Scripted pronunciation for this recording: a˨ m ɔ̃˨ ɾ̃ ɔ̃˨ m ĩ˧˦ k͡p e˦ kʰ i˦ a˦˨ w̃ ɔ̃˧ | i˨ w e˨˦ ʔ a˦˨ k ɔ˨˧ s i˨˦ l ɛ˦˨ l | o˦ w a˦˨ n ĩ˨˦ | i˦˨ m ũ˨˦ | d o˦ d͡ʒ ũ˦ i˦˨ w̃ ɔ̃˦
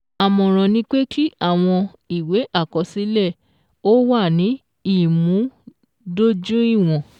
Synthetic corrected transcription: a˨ m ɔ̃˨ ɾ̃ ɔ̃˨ n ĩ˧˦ k͡p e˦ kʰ i˦ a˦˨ w̃ ɔ̃˧ | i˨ w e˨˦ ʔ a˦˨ k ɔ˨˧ s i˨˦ l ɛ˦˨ | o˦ w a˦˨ n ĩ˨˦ | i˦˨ m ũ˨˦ | d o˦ d͡ʒ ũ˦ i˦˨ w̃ ɔ̃˨